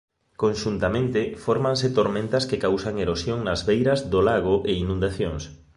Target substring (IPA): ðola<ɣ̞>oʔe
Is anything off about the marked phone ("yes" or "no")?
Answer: no